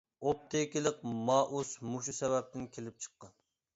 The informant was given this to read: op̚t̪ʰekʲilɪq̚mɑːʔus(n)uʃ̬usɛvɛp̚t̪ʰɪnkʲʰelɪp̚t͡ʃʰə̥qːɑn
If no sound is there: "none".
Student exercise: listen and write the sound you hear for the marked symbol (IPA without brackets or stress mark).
m